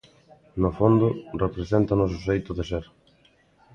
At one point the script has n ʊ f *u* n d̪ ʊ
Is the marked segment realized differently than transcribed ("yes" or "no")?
yes